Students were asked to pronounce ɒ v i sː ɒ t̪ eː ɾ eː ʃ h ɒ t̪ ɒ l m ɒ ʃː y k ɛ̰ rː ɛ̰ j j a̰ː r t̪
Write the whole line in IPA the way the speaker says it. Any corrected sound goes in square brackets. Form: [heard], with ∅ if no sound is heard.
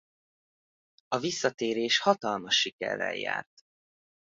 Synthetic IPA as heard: ɒ v i sː ɒ t̪ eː ɾ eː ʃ h ɒ t̪ ɒ l m ɒ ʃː [i] k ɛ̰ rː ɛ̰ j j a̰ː r t̪